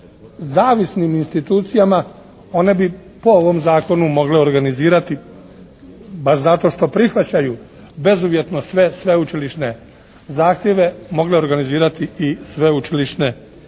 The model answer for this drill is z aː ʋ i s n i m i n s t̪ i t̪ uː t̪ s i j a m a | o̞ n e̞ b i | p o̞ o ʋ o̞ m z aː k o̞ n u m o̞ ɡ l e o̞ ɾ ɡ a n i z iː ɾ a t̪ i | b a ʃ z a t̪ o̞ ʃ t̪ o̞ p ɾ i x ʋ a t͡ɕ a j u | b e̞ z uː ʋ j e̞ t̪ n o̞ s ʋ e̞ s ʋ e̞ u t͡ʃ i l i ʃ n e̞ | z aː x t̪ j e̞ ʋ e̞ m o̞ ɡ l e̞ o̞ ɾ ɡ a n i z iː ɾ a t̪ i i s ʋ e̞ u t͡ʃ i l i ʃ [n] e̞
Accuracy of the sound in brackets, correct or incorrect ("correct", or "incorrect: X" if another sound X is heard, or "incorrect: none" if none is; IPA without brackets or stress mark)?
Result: correct